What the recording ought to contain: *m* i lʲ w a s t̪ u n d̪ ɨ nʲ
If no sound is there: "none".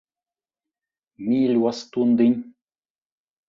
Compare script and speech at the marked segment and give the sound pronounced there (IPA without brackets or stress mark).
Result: m